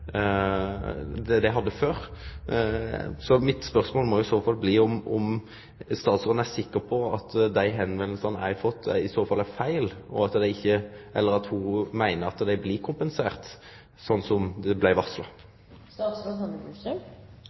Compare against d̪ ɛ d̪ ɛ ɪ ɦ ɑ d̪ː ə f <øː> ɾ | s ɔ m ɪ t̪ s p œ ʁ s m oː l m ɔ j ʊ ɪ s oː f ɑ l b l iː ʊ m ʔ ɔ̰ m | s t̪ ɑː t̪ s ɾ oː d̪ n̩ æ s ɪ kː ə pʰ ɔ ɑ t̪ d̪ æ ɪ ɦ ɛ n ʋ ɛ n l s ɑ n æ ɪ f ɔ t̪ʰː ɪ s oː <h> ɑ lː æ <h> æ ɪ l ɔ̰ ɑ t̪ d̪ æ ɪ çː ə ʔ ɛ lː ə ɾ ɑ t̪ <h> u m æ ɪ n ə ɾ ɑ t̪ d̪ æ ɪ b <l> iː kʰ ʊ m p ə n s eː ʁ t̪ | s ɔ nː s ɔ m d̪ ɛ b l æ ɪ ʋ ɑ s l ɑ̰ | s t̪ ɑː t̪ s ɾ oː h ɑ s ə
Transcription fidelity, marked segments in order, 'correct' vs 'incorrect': correct, incorrect: f, incorrect: f, correct, correct

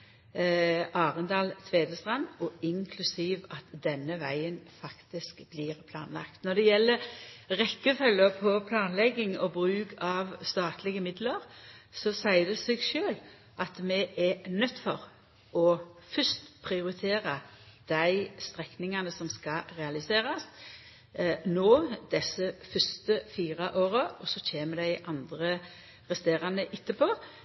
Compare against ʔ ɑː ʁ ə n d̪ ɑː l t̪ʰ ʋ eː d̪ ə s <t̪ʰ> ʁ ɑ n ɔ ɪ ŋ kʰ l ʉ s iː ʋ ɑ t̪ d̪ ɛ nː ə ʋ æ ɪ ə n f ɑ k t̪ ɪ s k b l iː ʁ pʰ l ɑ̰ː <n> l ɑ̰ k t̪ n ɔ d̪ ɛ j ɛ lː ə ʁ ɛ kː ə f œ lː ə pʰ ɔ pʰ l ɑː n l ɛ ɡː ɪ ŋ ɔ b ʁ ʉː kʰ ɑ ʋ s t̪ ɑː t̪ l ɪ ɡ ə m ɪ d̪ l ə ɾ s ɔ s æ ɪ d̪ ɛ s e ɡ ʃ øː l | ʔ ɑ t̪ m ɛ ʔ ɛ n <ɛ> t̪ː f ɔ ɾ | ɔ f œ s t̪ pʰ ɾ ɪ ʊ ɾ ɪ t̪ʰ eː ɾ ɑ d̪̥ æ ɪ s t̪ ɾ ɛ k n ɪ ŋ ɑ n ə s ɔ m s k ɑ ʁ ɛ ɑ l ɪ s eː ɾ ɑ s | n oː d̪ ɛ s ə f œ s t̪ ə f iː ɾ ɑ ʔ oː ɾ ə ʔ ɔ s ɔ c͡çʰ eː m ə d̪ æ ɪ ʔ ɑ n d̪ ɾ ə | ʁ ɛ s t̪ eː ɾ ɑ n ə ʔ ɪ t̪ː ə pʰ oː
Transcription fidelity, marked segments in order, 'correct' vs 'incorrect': incorrect: t̪, correct, incorrect: œ

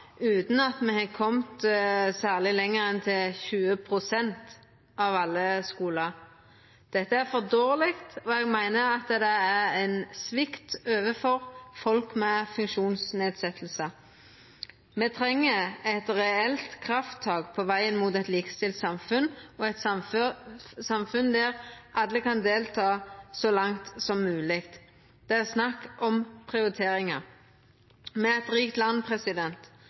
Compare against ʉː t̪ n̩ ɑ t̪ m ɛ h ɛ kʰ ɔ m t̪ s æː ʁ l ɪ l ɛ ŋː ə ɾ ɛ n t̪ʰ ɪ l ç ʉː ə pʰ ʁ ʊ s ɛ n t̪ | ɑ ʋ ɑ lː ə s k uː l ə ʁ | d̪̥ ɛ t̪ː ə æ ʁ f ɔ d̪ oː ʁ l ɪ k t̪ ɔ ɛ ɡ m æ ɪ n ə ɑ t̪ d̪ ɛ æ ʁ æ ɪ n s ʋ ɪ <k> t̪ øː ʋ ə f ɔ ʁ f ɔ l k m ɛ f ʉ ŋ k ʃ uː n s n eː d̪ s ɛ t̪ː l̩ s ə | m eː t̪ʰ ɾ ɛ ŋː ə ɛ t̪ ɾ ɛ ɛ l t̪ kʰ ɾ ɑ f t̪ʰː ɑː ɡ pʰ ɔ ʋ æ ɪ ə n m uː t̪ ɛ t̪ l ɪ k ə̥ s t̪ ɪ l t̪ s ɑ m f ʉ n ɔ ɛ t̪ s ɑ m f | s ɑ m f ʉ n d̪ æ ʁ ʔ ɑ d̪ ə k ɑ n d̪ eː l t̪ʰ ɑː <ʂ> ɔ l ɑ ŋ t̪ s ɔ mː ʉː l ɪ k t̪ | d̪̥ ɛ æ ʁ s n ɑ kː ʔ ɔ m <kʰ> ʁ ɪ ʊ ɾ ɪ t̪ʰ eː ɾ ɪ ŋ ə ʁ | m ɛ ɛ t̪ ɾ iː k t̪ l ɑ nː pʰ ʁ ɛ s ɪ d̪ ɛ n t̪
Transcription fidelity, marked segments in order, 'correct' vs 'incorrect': correct, incorrect: s, incorrect: pʰ

